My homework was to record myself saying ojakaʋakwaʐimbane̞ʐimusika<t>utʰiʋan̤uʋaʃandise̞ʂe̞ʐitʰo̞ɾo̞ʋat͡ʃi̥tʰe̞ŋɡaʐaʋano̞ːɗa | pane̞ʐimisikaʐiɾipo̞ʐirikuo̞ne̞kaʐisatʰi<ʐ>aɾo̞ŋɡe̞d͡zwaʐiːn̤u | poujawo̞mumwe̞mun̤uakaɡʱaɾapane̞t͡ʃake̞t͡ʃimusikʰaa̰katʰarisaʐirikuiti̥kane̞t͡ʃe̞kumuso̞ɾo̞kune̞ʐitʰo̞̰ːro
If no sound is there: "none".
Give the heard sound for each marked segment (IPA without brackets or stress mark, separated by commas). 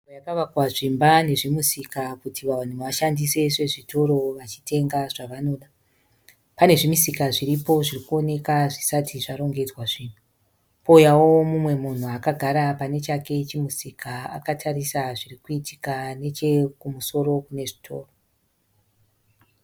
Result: k, ʐ